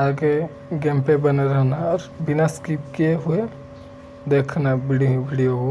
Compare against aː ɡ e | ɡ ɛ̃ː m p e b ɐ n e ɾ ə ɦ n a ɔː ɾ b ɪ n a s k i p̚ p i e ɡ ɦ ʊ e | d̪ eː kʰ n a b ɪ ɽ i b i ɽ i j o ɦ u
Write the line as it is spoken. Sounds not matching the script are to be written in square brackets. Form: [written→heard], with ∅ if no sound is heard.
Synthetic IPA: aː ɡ e | ɡ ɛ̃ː m p e b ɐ n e ɾ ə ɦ n a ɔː ɾ b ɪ n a s k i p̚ [p→k] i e [ɡ→∅] ɦ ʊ e | d̪ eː kʰ n a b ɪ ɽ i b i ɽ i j o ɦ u